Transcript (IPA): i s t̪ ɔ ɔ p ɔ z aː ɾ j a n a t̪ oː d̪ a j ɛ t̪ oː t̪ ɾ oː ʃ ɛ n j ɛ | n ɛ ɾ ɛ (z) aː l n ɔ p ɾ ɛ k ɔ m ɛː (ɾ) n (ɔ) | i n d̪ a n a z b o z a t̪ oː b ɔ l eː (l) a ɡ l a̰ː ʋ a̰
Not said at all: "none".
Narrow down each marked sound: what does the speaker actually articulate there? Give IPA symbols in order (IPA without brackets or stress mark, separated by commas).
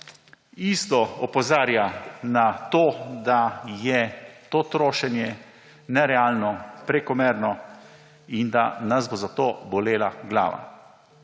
none, ɾ, ɔ, l